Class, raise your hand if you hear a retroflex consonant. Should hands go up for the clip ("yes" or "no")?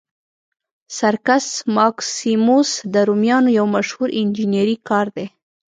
no